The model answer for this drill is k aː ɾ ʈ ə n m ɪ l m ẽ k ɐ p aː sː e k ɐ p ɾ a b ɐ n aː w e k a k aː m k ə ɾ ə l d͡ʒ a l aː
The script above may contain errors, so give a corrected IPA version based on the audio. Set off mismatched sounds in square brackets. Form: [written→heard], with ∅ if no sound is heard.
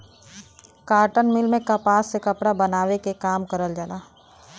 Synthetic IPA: k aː ɾ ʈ ə n m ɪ l m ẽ k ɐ p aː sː e k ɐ p [ɾ→ɽ] a b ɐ n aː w e k [a→e] k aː m k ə ɾ ə l d͡ʒ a l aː